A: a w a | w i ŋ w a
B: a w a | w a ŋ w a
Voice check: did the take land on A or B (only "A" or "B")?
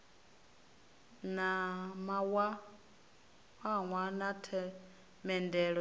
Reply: B